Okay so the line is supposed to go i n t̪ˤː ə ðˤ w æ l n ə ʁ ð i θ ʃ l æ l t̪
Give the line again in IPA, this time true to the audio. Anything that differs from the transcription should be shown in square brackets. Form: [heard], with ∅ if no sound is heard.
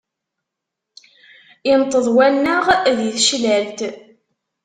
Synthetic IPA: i n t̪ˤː ə ðˤ w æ l n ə ʁ ð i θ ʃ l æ l t̪